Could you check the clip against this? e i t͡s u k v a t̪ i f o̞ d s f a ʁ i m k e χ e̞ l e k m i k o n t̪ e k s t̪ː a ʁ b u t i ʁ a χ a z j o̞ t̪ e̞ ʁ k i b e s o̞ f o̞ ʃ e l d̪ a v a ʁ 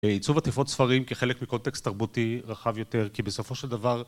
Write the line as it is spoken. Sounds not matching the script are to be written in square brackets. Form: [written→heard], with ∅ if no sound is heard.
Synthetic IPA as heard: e i t͡s u [k→∅] v a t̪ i f o̞ [d→t] s f a ʁ i m k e χ e̞ l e k m i k o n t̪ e k s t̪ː a ʁ b u t i ʁ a χ a [z→v] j o̞ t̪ e̞ ʁ k i b e s o̞ f o̞ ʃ e l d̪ a v a ʁ

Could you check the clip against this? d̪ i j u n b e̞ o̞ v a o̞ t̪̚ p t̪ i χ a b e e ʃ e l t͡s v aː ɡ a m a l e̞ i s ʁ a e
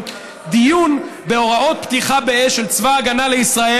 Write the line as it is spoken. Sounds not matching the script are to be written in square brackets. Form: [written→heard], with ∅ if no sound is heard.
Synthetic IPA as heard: d̪ i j u n b e̞ o̞ [v→ʁ] a o̞ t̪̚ p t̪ i χ a b e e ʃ e l t͡s v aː ɡ a [m→n] a l e̞ i s ʁ a e

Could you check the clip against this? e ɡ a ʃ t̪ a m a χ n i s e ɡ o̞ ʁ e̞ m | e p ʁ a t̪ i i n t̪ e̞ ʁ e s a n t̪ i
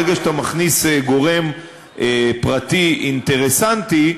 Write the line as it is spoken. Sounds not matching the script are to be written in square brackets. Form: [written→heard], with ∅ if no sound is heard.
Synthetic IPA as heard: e ɡ a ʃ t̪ a m a χ n i s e ɡ o̞ ʁ e̞ m | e p ʁ a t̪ i i n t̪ e̞ ʁ e s a n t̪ i

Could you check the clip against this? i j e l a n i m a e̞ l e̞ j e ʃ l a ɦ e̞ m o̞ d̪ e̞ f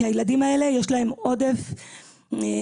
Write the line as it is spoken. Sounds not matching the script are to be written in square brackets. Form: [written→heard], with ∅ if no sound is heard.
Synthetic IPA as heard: [i→a] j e l a [n→d] i m a e̞ l e̞ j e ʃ l a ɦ e̞ m o̞ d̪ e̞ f

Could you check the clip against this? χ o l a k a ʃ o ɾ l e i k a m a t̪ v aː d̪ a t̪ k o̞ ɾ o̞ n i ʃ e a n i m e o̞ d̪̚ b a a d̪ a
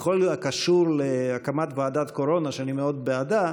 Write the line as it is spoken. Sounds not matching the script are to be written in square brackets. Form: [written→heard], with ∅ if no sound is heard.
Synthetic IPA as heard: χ o l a k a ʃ [o→u] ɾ l e [i→a] k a m a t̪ v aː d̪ a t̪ k o̞ ɾ o̞ n [i→a] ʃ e a n i m e o̞ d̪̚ b [a→e] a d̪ a

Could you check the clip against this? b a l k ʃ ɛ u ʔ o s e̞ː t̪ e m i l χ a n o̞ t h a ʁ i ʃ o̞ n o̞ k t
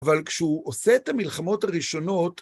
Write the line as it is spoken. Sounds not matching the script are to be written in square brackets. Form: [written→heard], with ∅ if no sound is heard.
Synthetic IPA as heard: [b→v] a l k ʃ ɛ u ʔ o s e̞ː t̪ [e→a] m i l χ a [n→m] o̞ t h a ʁ i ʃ o̞ n o̞ [k→∅] t

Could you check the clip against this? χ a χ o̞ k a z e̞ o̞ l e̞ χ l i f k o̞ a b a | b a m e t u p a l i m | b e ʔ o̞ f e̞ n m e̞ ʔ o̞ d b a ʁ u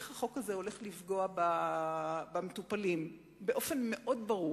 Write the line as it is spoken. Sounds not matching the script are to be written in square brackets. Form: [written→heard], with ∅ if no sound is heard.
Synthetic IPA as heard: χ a χ o̞ k a z e̞ o̞ l e̞ χ l i f [k→ɡ] o̞ a b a | b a m e t u p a l i m | b e ʔ o̞ f e̞ n m e̞ ʔ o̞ d b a ʁ u

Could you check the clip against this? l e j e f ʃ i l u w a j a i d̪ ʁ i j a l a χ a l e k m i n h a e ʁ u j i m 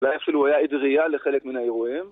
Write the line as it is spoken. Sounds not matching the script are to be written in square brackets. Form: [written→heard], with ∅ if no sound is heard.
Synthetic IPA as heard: l [e→a] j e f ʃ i l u w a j a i d̪ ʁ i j a l [a→e] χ [a→e] l e k m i n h a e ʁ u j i m

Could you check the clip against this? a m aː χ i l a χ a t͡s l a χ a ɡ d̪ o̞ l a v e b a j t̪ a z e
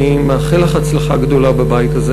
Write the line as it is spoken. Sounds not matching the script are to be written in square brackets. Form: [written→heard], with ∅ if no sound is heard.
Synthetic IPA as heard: [a→i] m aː χ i l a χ a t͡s l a χ a ɡ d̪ o̞ l a [v→b] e b a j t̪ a z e

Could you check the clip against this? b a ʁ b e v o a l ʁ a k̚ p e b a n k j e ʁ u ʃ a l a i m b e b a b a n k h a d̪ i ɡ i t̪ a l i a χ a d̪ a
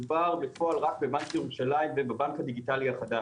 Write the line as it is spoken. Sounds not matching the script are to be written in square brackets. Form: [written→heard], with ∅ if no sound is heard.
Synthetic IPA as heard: b a ʁ b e [v→f] o a l ʁ a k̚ [p→b] e b a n k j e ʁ u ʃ a l a i m [b→v] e b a b a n k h a d̪ i ɡ i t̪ a l i a χ a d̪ a

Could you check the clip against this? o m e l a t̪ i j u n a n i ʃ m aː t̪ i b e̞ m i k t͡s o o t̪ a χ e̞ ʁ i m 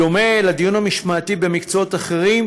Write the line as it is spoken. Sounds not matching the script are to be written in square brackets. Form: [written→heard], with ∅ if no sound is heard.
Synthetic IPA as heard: o m e l a [t̪→d̪] i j u n a [n→m] i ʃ m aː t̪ i b e̞ m i k t͡s o o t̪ a χ e̞ ʁ i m

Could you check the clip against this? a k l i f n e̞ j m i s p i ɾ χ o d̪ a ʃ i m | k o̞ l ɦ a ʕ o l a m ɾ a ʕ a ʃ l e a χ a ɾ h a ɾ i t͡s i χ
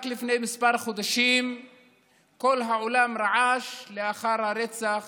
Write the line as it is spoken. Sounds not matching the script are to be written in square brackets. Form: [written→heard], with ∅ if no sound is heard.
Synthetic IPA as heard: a k l i f n e̞ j m i s p [i→a] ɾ χ o d̪ a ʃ i m | k o̞ l ɦ a ʕ o l a m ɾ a ʕ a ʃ l e a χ a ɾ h a ɾ [i→e] t͡s [i→a] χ

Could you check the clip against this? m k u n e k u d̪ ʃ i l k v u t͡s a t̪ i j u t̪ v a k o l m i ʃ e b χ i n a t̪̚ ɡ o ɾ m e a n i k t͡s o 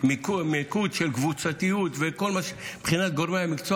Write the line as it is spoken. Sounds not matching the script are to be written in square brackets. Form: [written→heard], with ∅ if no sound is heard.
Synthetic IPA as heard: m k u [n→m] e k u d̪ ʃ [i→e] l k v u t͡s a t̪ i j u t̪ v [a→e] k o l m [i→a] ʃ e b χ i n a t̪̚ ɡ o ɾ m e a [n→m] i k t͡s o

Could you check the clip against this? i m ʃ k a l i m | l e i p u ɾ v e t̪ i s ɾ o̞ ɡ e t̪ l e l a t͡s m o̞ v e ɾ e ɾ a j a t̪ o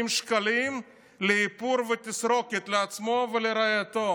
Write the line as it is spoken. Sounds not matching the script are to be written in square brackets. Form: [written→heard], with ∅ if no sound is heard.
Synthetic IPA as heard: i m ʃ k a l i m | l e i p u ɾ v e t̪ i s ɾ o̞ [ɡ→k] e t̪ l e [l→∅] a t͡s m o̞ v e [ɾ→l] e ɾ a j a t̪ o

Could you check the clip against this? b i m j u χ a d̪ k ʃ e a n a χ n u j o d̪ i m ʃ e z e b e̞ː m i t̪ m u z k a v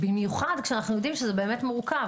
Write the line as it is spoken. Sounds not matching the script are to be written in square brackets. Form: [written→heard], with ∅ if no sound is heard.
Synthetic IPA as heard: b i m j u χ a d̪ k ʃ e a n a χ n u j o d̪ i m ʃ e z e b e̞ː m [i→e] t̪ m u [z→ʁ] k a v

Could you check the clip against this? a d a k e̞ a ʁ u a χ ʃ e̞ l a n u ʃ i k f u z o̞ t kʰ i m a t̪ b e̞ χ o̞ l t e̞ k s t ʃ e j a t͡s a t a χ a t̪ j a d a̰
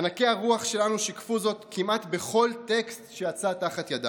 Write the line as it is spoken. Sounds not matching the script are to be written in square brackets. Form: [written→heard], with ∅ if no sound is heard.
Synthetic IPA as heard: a [d→n] a k e̞ a ʁ u a χ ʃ e̞ l a n u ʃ i k f u z o̞ t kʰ i m a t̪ b e̞ χ o̞ l t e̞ k s t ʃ e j a t͡s a t a χ a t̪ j a d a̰

